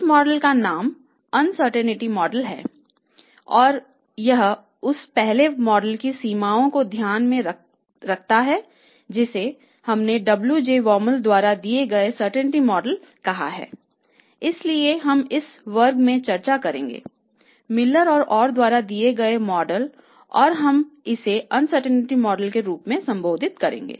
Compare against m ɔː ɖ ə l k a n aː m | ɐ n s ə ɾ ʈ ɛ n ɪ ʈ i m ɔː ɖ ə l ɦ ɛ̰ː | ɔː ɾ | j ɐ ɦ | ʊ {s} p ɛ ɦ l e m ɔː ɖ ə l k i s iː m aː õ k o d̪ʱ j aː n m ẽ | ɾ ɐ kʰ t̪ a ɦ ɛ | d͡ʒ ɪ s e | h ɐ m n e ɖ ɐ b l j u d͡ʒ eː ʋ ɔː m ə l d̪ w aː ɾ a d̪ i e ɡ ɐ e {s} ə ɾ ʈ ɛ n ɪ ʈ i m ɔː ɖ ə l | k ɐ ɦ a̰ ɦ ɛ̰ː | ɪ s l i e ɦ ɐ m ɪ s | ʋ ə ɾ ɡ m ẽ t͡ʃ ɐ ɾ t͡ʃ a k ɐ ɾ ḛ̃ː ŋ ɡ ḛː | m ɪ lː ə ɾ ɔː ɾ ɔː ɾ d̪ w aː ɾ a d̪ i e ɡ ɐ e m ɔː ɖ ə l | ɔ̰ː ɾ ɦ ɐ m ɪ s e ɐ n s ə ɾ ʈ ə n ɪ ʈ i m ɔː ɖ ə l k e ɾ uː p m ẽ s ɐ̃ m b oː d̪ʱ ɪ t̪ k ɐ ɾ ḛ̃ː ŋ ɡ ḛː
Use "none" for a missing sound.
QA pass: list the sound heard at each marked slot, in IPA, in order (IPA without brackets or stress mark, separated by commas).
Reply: s, s